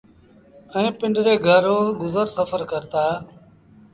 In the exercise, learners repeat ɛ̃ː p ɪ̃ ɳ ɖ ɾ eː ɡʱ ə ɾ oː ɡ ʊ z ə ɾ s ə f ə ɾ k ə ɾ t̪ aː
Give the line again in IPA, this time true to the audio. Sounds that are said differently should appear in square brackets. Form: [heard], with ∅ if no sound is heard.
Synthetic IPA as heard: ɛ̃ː p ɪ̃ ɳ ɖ ɾ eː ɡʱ ə ɾ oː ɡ ʊ z ə ɾ s ə f ə ɾ k ə ɾ t̪ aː